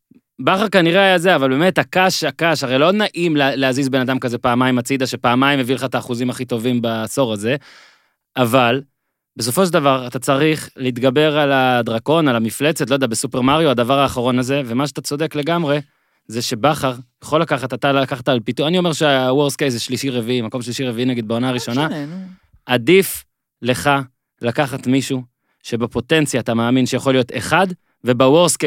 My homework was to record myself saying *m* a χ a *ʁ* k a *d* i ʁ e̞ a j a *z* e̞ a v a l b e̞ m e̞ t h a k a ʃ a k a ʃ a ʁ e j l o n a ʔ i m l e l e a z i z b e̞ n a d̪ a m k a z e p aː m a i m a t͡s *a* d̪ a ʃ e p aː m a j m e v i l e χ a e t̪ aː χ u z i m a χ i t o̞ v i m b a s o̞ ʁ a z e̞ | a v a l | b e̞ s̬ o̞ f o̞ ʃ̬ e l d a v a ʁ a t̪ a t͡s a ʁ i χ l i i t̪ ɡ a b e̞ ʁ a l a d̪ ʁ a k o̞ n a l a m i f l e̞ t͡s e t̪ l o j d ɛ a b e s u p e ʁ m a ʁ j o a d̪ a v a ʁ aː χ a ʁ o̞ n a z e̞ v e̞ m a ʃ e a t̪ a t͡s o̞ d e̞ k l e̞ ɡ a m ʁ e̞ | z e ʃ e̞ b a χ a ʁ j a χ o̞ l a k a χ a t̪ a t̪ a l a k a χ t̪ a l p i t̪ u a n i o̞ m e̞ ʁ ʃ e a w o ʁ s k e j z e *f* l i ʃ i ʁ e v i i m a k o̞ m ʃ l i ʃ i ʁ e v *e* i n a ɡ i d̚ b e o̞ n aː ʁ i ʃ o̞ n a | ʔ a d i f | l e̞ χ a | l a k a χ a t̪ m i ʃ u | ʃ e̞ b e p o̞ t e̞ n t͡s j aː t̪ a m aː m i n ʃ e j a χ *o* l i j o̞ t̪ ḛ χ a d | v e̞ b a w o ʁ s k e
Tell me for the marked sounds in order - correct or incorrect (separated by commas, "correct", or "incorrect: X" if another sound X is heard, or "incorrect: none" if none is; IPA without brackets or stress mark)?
incorrect: b, correct, incorrect: n, correct, incorrect: i, incorrect: ʃ, incorrect: i, correct